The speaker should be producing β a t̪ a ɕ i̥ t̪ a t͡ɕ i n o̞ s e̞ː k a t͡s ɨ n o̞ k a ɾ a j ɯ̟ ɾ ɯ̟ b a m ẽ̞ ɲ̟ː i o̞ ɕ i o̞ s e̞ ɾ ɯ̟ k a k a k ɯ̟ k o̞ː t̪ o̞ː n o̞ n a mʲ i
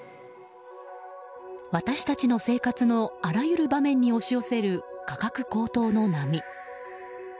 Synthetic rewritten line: β a t̪ a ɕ i̥ t̪ a t͡ɕ i n o̞ s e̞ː k a t͡s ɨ n o̞ a ɾ a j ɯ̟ ɾ ɯ̟ b a m ẽ̞ ɲ̟ː i o̞ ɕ i o̞ s e̞ ɾ ɯ̟ k a k a k ɯ̟ k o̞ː t̪ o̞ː n o̞ n a mʲ i